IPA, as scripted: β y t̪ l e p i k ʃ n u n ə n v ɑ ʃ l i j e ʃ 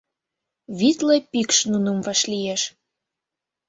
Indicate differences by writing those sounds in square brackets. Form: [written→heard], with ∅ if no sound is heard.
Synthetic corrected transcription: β [y→i] t̪ l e p i k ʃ n u n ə [n→m] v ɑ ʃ l i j e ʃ